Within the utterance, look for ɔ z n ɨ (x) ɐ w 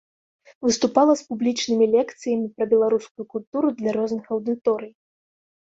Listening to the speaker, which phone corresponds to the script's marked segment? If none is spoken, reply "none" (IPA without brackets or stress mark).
x